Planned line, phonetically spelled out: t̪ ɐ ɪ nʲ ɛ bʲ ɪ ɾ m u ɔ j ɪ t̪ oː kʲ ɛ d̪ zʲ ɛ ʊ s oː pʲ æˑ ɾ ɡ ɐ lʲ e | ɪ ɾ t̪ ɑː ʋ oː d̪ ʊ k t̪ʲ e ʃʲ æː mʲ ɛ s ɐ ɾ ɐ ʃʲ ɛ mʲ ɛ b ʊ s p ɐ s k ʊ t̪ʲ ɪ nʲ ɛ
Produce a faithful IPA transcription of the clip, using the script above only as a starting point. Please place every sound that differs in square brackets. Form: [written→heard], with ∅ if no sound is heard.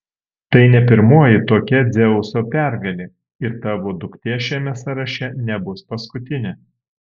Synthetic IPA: t̪ ɐ ɪ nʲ ɛ [bʲ→pʲ] ɪ ɾ m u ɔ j ɪ t̪ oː kʲ ɛ d̪ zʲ ɛ ʊ s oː pʲ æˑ ɾ ɡ ɐ lʲ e | ɪ ɾ t̪ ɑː ʋ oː d̪ ʊ k t̪ʲ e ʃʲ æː mʲ ɛ s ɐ ɾ ɐ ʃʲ ɛ [mʲ→nʲ] ɛ b ʊ s p ɐ s k ʊ t̪ʲ ɪ nʲ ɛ